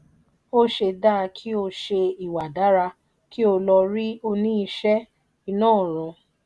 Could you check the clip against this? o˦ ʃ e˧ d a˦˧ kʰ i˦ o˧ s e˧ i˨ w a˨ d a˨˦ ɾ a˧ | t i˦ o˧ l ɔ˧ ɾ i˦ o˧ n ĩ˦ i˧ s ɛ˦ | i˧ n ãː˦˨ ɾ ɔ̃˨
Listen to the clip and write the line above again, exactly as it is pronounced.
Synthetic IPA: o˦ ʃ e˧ d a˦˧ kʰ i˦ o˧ ʃ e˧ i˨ w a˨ d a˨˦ ɾ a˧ | k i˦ o˧ l ɔ˧ ɾ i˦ o˧ n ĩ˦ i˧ ʃ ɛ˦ | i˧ n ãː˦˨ ɾ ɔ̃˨